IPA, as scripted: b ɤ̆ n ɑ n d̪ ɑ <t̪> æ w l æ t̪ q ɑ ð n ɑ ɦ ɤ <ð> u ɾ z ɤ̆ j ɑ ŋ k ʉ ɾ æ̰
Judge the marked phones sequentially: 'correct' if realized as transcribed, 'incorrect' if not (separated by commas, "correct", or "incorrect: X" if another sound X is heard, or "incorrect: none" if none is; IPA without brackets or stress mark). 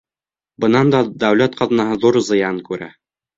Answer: incorrect: d̪, correct